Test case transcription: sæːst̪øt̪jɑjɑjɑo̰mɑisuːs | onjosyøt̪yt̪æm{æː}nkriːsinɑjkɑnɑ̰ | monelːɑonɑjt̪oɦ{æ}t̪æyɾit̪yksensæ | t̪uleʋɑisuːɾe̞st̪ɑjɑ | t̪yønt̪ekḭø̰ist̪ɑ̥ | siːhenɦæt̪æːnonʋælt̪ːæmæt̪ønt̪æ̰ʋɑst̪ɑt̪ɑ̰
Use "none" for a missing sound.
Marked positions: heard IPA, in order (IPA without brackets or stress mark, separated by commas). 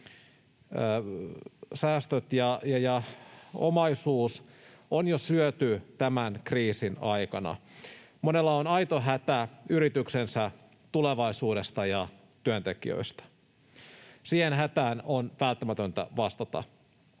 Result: æ, æ